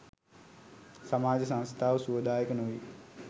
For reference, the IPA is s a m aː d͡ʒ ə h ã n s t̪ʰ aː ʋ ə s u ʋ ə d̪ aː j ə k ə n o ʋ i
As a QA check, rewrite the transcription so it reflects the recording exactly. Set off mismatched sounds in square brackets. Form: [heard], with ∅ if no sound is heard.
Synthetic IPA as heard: s a m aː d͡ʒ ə [s] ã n s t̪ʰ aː ʋ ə s u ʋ ə d̪ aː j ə k ə n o ʋ i